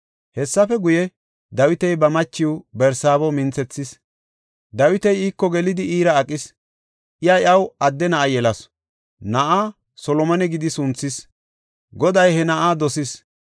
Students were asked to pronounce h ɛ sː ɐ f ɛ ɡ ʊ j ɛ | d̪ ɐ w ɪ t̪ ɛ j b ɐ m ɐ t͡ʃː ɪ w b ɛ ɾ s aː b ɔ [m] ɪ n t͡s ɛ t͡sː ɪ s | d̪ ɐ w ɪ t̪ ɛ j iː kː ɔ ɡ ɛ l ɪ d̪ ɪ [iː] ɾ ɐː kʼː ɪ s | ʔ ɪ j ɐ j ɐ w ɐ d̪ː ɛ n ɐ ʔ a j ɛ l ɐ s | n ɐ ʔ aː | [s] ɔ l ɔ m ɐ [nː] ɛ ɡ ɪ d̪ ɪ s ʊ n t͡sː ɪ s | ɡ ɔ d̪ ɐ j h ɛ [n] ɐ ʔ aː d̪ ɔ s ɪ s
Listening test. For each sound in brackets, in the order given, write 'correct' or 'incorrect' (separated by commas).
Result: correct, correct, correct, incorrect, correct